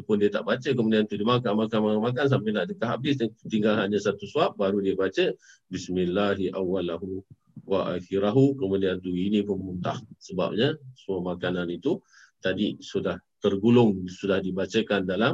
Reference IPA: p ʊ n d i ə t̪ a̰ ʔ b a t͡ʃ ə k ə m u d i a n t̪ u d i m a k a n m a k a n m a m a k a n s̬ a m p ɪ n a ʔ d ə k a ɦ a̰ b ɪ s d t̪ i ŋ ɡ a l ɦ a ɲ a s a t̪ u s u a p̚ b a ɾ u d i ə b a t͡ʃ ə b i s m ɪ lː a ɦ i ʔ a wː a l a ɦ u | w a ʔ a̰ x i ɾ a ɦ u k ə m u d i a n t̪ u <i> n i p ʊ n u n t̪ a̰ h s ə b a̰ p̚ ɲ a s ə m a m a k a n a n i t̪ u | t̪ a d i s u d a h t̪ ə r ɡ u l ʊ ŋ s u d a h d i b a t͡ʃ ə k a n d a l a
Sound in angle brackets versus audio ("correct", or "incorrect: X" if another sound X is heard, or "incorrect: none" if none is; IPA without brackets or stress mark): correct